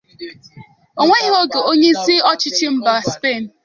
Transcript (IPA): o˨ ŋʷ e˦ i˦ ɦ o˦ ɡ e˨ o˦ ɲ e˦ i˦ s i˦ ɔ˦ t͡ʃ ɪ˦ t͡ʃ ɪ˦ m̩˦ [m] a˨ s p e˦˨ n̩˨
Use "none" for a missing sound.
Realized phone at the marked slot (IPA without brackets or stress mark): b